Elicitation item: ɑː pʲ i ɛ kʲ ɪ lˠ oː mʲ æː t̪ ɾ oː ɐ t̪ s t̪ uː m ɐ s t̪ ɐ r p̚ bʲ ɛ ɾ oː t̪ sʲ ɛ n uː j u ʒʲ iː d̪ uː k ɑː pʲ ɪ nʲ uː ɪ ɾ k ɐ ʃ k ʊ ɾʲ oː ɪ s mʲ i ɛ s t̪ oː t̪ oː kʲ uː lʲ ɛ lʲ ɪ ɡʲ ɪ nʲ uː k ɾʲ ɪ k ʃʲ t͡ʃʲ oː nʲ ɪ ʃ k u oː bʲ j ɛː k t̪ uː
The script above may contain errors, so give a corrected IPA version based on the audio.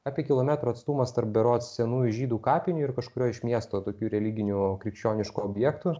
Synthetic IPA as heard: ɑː pʲ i ɛ kʲ ɪ lˠ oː mʲ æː t̪ ɾ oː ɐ t̪ s t̪ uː m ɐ s t̪ ɐ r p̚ bʲ ɛ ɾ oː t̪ sʲ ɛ n uː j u ʒʲ iː d̪ uː k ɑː pʲ ɪ nʲ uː ɪ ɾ k ɐ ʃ k ʊ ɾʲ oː ɪ ʃ mʲ i ɛ s t̪ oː t̪ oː kʲ uː ɾʲ ɛ lʲ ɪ ɡʲ ɪ nʲ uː k ɾʲ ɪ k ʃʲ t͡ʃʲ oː nʲ ɪ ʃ k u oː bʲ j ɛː k t̪ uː